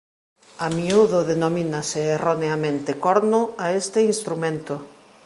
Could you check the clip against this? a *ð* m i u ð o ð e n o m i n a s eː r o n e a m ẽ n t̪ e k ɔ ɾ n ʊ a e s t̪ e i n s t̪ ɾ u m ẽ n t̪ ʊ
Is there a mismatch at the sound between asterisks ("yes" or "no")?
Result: yes